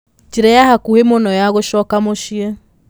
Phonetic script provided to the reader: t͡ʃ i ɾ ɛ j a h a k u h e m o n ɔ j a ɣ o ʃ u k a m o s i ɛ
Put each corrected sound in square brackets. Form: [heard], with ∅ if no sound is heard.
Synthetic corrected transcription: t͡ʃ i ɾ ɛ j a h a k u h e m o n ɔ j a ɣ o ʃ [ɔ] k a m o [ʃ] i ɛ